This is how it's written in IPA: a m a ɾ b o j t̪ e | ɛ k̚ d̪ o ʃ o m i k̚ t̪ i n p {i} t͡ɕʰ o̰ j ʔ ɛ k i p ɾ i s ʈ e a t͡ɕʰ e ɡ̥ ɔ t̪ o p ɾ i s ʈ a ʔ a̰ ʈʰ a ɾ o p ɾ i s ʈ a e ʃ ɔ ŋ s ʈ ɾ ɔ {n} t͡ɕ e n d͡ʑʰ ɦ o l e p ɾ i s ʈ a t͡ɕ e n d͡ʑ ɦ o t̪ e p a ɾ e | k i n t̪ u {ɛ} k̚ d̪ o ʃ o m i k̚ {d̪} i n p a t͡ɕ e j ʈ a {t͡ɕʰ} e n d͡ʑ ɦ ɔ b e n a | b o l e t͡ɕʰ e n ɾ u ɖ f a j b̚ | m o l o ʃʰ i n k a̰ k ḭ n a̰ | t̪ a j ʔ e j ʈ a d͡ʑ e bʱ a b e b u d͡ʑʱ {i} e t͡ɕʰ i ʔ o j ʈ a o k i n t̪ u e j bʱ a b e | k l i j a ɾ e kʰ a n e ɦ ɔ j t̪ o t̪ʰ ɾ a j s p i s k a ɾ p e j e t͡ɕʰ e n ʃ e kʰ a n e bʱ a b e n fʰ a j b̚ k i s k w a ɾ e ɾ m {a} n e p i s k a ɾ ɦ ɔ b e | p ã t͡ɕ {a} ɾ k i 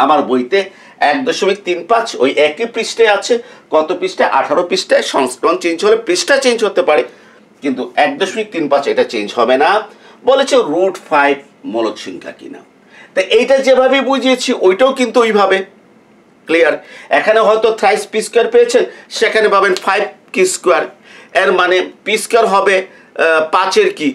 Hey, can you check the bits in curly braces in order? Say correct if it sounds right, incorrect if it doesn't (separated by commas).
incorrect, correct, correct, incorrect, incorrect, correct, correct, incorrect